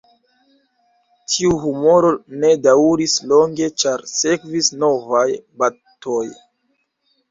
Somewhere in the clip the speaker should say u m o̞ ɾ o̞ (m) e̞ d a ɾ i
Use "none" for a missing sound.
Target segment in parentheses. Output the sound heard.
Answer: n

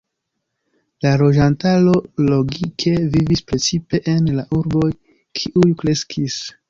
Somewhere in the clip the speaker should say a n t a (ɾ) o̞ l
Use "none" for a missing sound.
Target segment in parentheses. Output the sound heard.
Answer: l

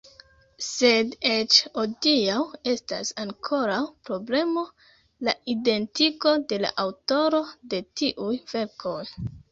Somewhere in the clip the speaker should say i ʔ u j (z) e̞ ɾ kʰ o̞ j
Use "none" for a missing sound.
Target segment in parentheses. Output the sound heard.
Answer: v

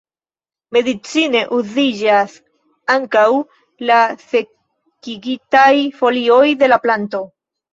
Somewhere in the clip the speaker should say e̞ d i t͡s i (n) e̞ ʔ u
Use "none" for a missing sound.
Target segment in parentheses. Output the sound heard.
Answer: n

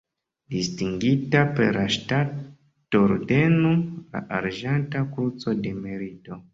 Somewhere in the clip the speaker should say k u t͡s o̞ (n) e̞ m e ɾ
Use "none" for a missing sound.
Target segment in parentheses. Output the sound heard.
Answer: d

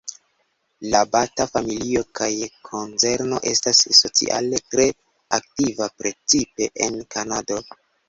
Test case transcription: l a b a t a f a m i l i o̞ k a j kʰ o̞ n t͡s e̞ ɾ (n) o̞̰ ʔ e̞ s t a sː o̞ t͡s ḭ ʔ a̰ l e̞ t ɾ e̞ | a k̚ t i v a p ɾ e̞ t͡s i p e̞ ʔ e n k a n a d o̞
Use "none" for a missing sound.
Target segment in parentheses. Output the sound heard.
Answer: n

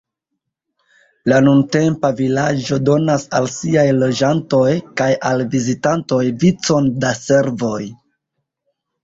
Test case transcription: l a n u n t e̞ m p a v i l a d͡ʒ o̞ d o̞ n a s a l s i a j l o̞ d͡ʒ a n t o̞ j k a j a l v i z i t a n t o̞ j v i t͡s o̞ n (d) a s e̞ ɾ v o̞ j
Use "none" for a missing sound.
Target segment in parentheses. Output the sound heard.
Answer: d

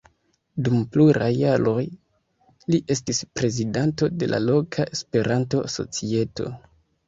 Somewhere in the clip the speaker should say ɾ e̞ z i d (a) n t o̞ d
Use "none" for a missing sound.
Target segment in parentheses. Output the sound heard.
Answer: a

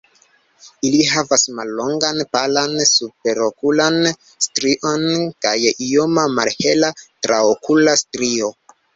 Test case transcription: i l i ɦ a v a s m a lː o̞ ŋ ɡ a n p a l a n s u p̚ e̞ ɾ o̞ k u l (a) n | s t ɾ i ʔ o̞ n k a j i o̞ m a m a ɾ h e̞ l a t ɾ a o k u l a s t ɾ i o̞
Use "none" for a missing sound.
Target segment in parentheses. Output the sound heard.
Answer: a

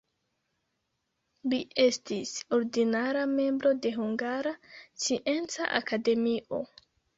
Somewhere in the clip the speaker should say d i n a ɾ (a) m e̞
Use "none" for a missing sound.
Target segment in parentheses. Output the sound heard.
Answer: a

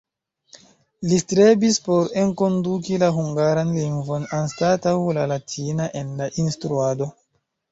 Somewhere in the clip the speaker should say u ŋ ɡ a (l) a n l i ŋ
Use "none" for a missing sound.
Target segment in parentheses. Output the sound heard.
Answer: ɾ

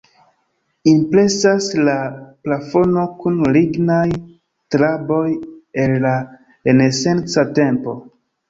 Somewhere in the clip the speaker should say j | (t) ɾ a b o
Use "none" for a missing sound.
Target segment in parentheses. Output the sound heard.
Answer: t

